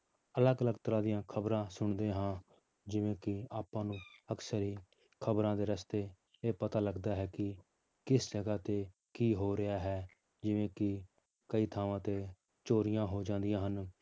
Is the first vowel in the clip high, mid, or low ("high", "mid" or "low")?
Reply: mid